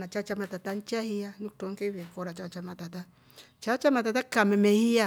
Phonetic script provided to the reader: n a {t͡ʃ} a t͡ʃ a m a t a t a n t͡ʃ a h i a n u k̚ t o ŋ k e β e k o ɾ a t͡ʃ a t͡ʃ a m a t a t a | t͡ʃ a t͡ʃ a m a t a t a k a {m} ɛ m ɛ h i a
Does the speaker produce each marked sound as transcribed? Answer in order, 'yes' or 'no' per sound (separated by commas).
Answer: yes, yes